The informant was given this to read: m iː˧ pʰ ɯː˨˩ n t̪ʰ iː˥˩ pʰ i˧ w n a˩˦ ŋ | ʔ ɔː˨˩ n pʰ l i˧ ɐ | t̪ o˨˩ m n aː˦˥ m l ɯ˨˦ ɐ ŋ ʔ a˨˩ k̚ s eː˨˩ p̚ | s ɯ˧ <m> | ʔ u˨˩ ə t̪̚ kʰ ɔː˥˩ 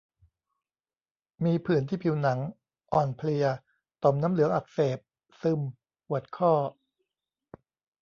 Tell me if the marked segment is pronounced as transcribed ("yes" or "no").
yes